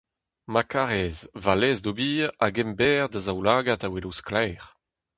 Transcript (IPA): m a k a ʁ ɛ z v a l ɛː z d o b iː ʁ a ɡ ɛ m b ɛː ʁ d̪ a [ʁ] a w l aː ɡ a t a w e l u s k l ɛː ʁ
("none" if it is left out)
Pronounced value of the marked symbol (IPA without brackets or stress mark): z